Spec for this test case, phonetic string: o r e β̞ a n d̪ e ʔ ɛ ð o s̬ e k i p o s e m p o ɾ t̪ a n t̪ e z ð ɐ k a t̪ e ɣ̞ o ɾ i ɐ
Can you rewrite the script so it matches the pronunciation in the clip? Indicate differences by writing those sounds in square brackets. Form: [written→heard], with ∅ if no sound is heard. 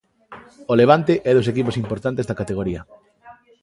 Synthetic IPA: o [r→l] e β̞ a n [d̪→t̪] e ʔ ɛ ð o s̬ e k i p o s [e→i] m p o ɾ t̪ a n t̪ e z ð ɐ k a t̪ e ɣ̞ o ɾ i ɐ